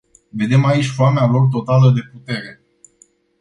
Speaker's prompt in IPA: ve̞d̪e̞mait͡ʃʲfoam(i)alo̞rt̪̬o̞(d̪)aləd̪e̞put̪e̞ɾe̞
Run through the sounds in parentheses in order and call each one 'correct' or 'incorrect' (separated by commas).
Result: incorrect, incorrect